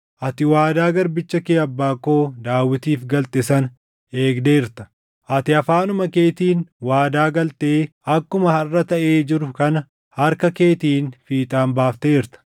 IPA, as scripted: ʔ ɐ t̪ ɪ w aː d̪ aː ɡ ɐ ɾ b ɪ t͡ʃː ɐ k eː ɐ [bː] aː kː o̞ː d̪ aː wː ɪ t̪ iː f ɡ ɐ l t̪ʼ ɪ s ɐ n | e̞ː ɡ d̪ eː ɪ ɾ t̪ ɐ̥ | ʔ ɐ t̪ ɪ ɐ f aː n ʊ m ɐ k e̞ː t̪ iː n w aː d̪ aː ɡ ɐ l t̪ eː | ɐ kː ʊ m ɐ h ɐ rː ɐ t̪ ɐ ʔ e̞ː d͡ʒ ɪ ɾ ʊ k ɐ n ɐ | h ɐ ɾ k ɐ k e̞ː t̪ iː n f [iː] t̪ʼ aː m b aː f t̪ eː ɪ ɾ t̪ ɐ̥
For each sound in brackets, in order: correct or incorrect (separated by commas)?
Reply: correct, correct